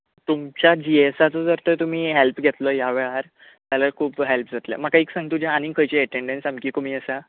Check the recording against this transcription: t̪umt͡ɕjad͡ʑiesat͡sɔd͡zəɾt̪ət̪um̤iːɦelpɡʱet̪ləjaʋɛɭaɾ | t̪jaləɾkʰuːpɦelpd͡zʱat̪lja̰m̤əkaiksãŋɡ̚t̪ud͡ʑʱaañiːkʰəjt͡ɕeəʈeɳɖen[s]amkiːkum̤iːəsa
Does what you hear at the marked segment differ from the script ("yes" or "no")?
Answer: no